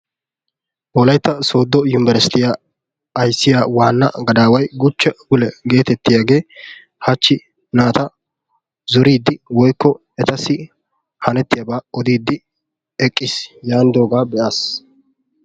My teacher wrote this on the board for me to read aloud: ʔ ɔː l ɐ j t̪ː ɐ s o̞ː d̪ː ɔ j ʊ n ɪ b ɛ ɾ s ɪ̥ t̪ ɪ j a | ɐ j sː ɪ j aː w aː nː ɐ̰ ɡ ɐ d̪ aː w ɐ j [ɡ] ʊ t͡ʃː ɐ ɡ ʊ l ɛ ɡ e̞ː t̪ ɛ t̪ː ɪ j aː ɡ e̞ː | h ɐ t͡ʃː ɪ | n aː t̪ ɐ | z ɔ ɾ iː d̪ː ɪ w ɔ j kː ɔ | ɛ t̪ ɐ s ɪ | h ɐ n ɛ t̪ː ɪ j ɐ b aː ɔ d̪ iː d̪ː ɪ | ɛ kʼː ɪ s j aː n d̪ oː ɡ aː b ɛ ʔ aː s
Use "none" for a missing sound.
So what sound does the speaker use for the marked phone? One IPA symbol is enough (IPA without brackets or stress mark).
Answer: ɡ